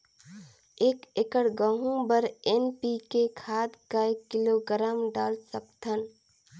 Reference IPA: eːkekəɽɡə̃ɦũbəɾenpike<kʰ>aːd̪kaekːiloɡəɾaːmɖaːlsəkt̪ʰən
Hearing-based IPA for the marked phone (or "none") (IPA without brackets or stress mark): kʰ